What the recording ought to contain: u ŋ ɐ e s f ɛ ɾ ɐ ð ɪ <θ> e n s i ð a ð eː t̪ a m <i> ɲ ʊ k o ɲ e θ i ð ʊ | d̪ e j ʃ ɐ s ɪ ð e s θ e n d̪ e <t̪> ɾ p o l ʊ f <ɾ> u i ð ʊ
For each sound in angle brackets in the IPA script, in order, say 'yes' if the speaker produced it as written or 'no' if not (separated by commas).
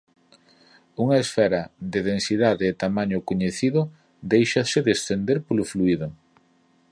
no, no, no, no